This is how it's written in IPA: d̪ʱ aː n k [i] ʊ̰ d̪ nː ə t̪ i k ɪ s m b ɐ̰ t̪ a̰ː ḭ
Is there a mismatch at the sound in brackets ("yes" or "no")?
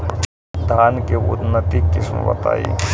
yes